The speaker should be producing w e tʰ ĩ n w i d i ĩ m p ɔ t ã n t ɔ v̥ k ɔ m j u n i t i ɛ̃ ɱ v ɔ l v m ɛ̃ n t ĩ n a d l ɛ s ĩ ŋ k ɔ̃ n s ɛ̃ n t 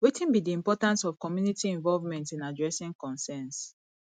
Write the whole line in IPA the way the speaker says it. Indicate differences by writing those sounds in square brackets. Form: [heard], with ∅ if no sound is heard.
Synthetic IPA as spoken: w e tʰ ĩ n [b] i d i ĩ m p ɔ t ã n [s] ɔ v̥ k ɔ m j u n i t i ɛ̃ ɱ v ɔ l v m ɛ̃ n t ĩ n a d [ɹ] ɛ s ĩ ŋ k ɔ̃ n s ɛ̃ n [s]